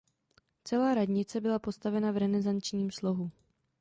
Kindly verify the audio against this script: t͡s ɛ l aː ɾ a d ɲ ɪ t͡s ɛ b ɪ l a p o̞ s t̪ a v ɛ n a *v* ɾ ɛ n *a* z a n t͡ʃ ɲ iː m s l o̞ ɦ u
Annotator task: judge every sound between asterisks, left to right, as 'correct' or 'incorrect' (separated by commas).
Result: correct, incorrect